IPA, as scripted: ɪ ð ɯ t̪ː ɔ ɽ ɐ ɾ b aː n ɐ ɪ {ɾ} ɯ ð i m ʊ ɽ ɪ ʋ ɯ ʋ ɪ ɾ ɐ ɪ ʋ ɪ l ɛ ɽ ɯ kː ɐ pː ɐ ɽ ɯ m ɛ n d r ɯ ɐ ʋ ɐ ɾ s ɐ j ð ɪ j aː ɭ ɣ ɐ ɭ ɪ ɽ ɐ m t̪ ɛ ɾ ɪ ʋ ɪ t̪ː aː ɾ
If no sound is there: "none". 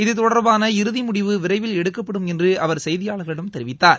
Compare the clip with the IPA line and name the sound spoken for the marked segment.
ɾ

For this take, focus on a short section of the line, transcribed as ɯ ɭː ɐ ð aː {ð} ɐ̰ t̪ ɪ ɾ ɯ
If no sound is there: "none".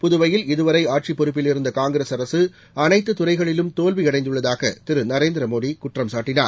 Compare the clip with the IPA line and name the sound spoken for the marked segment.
ɣ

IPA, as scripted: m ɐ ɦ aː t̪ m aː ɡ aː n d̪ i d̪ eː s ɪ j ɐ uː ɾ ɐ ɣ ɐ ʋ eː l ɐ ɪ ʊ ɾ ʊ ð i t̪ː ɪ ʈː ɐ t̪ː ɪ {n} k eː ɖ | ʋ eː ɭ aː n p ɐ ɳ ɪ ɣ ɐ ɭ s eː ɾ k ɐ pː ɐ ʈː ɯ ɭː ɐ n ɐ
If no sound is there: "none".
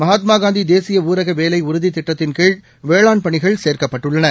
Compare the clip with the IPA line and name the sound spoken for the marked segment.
n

